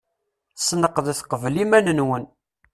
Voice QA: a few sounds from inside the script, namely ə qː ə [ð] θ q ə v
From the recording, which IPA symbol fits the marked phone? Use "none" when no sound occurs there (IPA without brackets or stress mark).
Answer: ð